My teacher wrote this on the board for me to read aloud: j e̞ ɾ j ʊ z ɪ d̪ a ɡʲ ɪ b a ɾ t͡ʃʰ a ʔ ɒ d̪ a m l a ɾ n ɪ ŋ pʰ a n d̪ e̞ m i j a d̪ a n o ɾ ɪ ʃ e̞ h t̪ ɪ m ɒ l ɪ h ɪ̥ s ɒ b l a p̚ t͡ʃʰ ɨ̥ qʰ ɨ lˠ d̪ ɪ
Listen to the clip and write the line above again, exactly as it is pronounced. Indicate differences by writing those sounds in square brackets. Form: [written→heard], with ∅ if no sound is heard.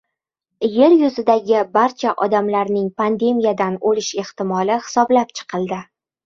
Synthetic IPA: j e̞ ɾ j ʊ z ɪ d̪ a ɡʲ ɪ b a ɾ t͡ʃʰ a ʔ ɒ d̪ a m l a ɾ n ɪ ŋ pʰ a n d̪ e̞ m i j a d̪ a n o [ɾ→l] ɪ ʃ e̞ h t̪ ɪ m ɒ l ɪ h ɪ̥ s ɒ b l a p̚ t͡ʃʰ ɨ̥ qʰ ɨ lˠ d̪ ɪ